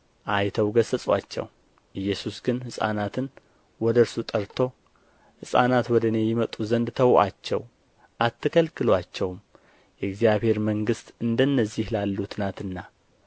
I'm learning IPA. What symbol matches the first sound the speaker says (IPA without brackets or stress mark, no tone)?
ʔ